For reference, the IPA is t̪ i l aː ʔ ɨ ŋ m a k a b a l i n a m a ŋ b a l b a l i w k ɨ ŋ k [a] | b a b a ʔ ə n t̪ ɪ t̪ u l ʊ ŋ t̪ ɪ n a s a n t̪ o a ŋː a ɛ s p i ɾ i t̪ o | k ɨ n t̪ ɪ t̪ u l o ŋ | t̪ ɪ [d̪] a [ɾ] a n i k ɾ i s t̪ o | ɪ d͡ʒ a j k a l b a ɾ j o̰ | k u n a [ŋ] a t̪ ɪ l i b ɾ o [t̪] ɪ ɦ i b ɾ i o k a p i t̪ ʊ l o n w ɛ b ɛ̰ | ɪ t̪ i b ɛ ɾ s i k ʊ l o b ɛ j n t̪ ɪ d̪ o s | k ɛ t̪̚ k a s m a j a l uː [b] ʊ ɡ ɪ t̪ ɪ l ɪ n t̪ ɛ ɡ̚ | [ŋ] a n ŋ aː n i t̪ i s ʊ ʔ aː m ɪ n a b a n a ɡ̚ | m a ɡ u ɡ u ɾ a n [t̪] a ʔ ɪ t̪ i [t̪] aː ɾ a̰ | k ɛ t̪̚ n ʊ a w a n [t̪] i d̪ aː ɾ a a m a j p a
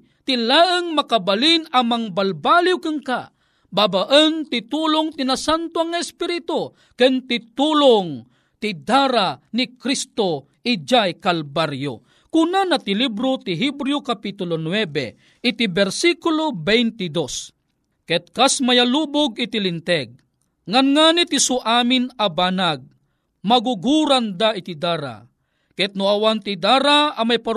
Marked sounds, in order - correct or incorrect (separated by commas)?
correct, correct, correct, incorrect, correct, correct, correct, incorrect, incorrect, correct